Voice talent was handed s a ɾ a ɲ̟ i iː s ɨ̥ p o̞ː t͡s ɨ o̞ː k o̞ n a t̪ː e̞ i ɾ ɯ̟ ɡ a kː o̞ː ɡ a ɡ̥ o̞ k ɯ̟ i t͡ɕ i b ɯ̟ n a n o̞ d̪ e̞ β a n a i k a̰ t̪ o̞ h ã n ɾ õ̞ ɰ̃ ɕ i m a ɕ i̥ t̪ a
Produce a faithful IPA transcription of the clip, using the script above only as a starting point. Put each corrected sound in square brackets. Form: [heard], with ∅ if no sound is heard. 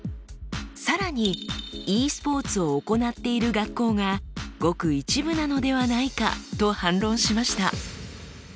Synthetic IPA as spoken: s a ɾ a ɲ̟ i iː s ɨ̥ p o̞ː t͡s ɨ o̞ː k o̞ n a t̪ː e̞ i ɾ ɯ̟ ɡ a kː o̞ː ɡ a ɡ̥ o̞ k ɯ̟ i t͡ɕ i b ɯ̟ n a n o̞ d̪ e̞ β a n a i k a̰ t̪ o̞ h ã n ɾ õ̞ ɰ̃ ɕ i m a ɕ i̥ t̪ a